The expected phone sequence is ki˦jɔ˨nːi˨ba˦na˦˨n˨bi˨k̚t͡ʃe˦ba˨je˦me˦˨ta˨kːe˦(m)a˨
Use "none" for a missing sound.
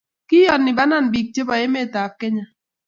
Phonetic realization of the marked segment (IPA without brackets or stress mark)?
ɲ